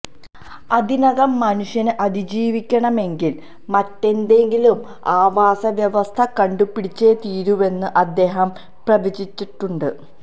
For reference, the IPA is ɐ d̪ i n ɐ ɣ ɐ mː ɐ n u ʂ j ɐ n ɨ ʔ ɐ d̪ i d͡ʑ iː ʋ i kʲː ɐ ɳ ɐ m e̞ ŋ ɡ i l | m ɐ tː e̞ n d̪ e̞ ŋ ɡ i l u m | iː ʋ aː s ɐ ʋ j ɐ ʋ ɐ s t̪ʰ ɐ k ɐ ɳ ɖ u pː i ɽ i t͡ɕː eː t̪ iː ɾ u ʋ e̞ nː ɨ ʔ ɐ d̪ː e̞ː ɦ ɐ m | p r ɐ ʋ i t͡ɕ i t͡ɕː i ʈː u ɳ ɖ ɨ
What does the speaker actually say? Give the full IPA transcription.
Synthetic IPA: ɐ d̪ i n ɐ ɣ ɐ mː ɐ n u ʂ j ɐ n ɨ ʔ ɐ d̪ i d͡ʑ iː ʋ i kʲː ɐ ɳ ɐ m e̞ ŋ ɡ i l | m ɐ tː e̞ n d̪ e̞ ŋ ɡ i l u m | aː ʋ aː s ɐ ʋ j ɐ ʋ ɐ s t̪ʰ ɐ k ɐ ɳ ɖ u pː i ɽ i t͡ɕː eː t̪ iː ɾ u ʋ e̞ nː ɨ ʔ ɐ d̪ː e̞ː ɦ ɐ m | p r ɐ ʋ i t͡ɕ i t͡ɕː i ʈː u ɳ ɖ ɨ